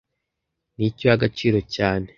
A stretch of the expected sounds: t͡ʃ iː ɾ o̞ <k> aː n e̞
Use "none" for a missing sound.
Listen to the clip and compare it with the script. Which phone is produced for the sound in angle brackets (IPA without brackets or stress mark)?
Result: c